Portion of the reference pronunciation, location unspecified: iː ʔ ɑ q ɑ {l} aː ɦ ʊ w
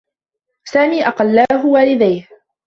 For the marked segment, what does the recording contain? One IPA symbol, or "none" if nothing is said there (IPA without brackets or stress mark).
lː